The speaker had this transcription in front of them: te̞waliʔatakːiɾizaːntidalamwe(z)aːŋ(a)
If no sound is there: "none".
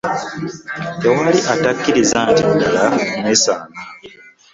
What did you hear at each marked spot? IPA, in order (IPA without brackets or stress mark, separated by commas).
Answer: s, a